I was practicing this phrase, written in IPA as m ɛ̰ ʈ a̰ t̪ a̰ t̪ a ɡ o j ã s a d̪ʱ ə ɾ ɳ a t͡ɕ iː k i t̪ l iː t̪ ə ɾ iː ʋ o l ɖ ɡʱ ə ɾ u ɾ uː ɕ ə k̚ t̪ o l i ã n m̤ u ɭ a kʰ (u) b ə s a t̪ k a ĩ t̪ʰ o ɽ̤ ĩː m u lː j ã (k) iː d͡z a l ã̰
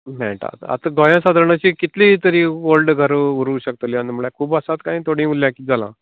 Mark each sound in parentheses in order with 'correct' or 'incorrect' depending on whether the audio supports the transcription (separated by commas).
incorrect, correct